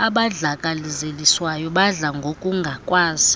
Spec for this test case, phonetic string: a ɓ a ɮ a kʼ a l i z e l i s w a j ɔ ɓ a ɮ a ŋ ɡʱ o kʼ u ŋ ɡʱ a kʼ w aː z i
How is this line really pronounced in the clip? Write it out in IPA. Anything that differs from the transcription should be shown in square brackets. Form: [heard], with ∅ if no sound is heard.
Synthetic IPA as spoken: a ɓ a ɮ a kʼ a l i z e l i s w a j ɔ ɓ a ɮ a ŋ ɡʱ o kʼ u ŋ ɡʱ a kʼ w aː z i